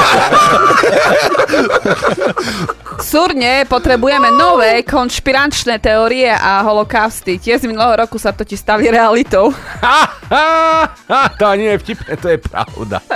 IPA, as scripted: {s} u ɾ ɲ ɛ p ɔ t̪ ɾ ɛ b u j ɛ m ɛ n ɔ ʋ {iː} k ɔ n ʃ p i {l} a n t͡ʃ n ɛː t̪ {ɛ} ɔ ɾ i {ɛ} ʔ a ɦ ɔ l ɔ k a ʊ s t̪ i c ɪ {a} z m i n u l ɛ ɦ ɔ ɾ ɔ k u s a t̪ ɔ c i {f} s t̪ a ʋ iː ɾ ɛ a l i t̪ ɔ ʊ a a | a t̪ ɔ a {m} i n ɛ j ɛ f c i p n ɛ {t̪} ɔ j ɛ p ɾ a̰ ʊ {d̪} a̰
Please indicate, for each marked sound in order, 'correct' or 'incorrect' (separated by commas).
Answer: correct, incorrect, incorrect, correct, correct, incorrect, incorrect, incorrect, correct, correct